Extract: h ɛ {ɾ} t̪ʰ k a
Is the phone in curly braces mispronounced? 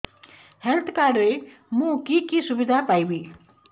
yes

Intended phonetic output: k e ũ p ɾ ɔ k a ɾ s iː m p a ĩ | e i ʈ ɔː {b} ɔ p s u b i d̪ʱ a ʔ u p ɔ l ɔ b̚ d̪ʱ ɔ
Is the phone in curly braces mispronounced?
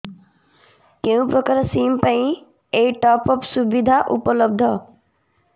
yes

